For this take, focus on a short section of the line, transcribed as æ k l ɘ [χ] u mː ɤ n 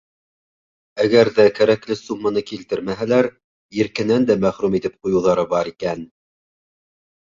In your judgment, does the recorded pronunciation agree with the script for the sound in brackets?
no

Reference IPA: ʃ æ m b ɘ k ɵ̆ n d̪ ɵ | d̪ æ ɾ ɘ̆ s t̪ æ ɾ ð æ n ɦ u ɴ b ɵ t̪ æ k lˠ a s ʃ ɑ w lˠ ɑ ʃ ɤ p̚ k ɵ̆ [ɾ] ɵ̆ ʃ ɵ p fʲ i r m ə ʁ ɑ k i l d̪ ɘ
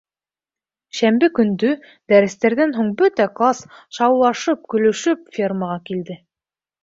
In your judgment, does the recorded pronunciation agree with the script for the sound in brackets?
no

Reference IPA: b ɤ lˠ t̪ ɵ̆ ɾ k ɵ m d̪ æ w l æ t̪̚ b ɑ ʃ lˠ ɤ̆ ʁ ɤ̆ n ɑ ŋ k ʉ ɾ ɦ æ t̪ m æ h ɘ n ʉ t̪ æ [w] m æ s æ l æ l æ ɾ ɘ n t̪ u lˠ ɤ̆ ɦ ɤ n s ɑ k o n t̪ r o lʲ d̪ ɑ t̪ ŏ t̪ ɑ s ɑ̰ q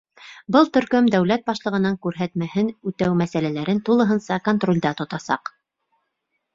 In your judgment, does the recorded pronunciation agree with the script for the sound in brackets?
yes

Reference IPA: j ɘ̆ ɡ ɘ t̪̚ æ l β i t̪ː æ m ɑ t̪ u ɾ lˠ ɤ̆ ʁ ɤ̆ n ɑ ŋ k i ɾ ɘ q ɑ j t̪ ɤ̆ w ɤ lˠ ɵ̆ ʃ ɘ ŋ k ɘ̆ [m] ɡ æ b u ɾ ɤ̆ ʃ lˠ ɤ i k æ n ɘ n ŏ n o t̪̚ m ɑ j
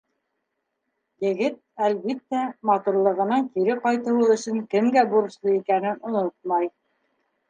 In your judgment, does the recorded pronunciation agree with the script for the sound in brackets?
yes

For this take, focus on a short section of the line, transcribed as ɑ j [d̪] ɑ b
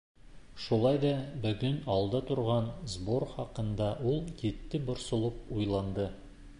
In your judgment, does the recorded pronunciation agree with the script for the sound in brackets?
yes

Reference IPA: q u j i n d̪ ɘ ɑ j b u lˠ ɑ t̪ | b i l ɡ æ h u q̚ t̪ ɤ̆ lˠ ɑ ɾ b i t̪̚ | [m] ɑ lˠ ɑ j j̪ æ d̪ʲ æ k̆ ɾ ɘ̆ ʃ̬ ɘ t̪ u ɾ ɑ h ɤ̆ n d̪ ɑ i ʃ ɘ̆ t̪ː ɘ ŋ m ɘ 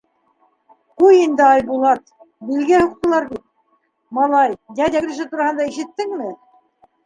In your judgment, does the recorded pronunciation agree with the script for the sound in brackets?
yes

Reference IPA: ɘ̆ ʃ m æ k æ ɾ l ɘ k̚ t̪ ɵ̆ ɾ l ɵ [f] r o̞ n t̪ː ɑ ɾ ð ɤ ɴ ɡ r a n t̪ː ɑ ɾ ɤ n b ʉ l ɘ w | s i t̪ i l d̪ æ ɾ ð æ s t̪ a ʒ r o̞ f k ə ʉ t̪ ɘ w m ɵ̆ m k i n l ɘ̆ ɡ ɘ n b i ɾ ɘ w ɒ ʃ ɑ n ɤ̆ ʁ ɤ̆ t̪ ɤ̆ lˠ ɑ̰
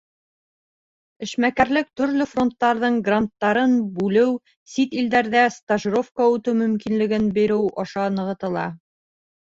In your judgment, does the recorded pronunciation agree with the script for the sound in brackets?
yes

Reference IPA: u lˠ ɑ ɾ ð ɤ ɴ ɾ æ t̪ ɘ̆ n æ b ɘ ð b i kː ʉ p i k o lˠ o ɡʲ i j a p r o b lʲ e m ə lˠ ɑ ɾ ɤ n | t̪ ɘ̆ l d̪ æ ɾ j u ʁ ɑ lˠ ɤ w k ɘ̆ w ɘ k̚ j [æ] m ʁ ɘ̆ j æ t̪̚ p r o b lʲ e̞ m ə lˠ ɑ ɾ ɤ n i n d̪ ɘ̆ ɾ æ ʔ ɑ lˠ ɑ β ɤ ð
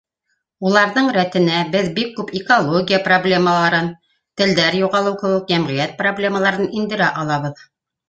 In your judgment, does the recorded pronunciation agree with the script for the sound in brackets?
yes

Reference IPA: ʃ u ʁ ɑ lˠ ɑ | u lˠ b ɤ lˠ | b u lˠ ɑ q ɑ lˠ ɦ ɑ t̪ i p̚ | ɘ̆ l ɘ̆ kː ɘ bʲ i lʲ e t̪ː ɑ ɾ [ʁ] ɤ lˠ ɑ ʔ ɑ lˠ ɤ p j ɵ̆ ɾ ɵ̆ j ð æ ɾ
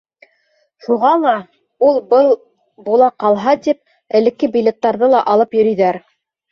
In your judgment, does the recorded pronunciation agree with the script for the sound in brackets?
no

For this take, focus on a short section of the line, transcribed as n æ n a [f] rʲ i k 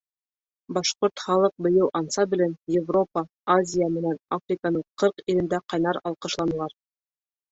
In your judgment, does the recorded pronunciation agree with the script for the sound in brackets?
yes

